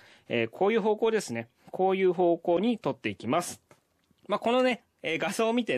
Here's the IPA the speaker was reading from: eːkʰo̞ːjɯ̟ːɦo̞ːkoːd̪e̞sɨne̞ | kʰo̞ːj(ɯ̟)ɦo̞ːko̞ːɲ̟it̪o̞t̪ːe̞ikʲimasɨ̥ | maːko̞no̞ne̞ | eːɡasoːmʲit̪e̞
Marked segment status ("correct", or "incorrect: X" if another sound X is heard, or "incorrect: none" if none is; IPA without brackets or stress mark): incorrect: ɯ̟ː